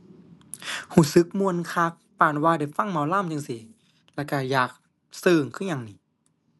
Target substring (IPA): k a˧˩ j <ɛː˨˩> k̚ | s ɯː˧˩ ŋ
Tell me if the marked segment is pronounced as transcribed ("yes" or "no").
no